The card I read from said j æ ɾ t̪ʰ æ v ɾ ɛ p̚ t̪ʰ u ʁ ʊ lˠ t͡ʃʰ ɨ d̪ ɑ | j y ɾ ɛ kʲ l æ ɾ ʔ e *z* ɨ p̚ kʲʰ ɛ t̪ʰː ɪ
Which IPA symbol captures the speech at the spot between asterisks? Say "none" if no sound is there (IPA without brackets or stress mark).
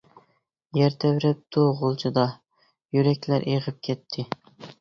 ʁ